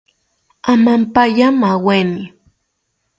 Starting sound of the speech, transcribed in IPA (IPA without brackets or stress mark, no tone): a